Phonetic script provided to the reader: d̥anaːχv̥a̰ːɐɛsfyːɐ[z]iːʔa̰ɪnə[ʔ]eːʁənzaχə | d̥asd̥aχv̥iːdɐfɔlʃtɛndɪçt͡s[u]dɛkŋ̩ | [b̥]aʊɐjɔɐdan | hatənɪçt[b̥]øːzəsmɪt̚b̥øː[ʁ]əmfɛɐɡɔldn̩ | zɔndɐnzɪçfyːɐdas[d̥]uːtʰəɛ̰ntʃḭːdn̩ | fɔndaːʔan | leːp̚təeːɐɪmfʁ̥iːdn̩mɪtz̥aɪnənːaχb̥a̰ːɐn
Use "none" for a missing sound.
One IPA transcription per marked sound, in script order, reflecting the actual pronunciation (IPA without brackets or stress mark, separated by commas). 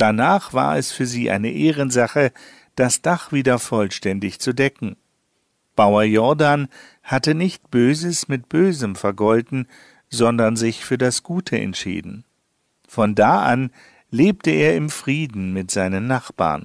z, ʔ, u, b̥, b̥, z, ɡ̥